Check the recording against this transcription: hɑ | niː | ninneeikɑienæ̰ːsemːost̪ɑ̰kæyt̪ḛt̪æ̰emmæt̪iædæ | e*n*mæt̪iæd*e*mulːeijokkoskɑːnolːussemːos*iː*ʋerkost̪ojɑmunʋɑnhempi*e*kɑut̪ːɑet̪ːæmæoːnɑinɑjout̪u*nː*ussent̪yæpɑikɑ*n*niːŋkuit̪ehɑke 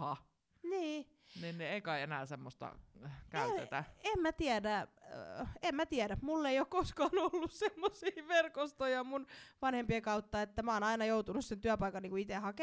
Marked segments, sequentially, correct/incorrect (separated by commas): incorrect, incorrect, correct, correct, incorrect, correct